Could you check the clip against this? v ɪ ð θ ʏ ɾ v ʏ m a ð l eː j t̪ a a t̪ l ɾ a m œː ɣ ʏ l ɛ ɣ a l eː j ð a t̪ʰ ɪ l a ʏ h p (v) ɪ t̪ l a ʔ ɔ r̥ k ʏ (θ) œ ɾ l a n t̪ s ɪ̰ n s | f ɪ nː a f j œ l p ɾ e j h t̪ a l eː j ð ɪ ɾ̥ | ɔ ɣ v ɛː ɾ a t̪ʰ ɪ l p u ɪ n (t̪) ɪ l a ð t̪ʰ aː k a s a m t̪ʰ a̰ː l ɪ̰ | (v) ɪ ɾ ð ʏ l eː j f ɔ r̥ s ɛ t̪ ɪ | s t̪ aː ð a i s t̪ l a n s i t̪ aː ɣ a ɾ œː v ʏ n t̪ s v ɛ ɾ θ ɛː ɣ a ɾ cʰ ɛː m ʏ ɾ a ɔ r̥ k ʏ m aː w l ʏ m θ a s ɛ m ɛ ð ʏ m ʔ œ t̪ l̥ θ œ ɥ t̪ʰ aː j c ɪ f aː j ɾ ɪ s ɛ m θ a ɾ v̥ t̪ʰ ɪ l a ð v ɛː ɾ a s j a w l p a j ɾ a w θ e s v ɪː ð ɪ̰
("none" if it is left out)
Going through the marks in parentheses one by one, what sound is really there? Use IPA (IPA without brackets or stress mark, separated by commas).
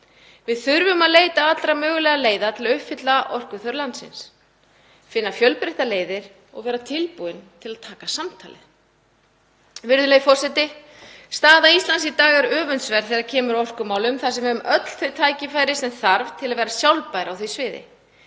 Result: f, θ, t̪ʰ, v